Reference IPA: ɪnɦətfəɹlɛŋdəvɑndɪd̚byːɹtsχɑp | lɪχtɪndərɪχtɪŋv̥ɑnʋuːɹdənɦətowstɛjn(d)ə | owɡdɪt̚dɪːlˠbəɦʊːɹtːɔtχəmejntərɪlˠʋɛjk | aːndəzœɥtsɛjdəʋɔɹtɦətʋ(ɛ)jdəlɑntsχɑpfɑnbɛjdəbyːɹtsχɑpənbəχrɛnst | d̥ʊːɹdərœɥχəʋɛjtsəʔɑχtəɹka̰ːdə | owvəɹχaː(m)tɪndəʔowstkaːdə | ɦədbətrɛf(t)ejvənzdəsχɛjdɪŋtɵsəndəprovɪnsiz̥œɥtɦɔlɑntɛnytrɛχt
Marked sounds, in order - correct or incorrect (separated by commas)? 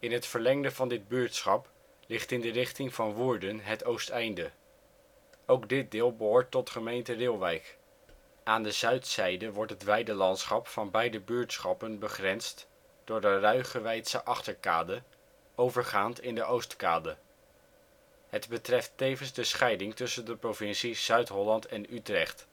correct, correct, incorrect, correct